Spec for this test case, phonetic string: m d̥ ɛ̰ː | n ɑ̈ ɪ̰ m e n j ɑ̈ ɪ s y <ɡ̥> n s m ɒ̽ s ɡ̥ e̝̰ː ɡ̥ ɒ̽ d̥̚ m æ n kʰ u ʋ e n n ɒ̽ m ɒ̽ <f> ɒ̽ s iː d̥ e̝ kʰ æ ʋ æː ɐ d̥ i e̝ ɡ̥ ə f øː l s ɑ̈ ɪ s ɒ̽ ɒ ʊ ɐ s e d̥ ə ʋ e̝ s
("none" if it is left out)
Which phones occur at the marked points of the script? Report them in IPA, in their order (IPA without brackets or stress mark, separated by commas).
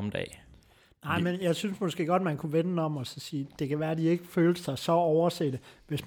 none, s